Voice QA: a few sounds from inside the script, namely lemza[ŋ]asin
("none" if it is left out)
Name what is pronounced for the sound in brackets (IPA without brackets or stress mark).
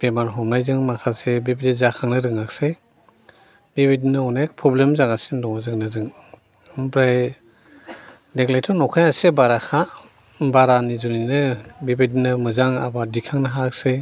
ŋ